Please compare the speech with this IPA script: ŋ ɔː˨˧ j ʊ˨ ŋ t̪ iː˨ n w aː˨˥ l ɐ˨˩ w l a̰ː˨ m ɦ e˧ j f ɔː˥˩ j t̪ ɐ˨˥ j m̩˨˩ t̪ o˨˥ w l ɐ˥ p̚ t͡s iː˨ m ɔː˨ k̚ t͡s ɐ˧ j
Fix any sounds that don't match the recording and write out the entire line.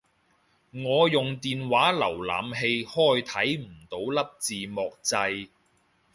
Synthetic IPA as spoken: ŋ ɔː˨˧ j ʊ˨ ŋ t̪ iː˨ n w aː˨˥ l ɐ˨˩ w l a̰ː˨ m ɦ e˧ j h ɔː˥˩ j t̪ʰ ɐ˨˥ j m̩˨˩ t̪ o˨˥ w l ɐ˥ p̚ t͡s iː˨ m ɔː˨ k̚ t͡s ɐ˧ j